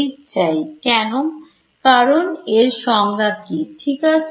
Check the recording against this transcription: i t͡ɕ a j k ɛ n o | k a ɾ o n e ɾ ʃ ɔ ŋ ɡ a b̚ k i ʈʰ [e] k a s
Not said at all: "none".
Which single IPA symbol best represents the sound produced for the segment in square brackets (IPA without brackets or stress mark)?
i